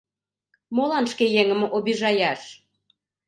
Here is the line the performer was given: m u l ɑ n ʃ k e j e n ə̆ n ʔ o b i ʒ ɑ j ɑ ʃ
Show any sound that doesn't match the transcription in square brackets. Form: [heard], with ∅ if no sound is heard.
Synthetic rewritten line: m [o] l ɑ n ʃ k e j e [ŋ] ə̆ [m] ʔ o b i ʒ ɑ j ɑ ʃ